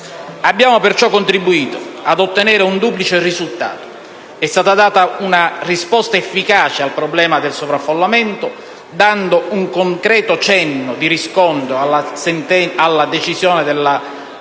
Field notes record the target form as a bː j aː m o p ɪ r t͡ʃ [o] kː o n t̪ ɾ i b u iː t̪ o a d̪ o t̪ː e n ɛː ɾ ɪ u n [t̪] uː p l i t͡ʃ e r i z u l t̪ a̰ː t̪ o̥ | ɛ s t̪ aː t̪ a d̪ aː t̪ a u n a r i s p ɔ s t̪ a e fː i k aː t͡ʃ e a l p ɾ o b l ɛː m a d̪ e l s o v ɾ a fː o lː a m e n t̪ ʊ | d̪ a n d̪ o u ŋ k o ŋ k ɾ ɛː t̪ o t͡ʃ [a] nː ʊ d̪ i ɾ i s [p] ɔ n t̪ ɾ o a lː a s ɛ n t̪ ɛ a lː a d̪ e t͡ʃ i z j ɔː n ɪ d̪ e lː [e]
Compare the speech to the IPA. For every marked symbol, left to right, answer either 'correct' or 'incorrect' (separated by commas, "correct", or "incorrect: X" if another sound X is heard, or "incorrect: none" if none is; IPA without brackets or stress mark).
incorrect: ɔ, incorrect: d̪, incorrect: ɛ, incorrect: k, incorrect: a